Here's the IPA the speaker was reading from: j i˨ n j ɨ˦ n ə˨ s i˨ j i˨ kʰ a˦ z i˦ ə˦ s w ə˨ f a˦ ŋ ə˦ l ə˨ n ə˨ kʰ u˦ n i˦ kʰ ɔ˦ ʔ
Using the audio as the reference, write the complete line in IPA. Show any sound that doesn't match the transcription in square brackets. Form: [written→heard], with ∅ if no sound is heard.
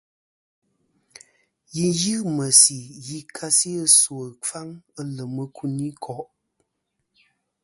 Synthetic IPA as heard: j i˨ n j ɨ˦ [n→m] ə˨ s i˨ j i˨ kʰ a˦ [z→s] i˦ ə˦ s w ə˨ f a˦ ŋ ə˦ l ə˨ [n→m] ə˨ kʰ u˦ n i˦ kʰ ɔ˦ ʔ